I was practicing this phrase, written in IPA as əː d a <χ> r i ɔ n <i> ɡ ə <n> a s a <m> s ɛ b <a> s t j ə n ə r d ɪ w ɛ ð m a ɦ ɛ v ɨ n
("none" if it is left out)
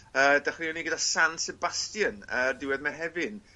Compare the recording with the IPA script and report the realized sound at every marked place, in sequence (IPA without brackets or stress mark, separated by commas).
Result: χ, i, d, n, a